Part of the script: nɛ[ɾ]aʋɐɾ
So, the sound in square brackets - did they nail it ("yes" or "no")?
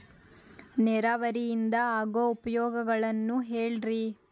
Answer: yes